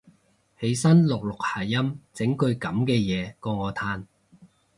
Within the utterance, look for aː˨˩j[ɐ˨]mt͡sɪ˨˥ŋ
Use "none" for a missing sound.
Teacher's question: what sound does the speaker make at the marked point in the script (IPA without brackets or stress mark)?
ɐ˥